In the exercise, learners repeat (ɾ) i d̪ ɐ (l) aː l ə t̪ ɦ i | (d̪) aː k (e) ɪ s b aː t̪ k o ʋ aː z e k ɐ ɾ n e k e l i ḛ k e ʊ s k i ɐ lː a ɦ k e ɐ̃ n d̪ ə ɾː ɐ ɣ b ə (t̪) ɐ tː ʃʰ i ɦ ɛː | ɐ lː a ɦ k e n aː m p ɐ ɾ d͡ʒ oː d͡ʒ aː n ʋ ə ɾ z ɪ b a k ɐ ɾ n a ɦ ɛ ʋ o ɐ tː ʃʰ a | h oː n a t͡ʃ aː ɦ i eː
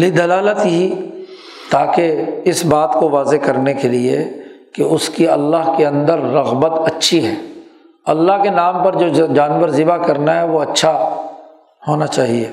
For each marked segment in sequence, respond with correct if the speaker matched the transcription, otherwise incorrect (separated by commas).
incorrect, correct, incorrect, correct, correct